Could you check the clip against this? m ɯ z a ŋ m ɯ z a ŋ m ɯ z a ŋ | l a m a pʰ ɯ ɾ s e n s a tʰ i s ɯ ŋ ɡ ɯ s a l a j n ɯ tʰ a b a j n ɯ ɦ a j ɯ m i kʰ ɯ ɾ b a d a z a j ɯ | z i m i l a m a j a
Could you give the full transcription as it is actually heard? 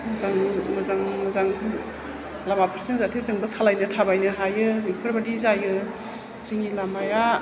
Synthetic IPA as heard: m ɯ z a ŋ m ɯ z a ŋ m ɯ z a ŋ | l a m a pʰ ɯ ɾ s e n z a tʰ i z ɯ ŋ b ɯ s a l a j n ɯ tʰ a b a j n ɯ ɦ a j ɯ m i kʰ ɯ ɾ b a d i z a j ɯ | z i ŋ i l a m a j a